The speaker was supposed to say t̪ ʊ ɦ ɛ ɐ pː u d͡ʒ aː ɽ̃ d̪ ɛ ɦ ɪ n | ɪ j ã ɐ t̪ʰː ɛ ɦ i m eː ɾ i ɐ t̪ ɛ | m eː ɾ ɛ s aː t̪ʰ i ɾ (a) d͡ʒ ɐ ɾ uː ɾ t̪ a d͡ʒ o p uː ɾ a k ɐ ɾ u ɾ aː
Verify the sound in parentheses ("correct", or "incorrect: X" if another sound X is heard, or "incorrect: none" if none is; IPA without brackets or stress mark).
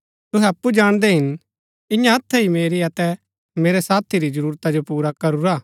incorrect: i